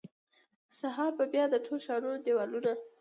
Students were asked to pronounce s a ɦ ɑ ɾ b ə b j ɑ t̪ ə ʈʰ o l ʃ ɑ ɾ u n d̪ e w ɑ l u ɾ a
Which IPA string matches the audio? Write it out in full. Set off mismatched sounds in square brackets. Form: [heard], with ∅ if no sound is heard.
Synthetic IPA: s a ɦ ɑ ɾ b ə b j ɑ [d̪] ə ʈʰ o l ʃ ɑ ɾ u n d̪ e w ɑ l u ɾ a